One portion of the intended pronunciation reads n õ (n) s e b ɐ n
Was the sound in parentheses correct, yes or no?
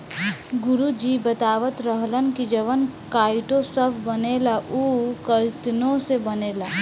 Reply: no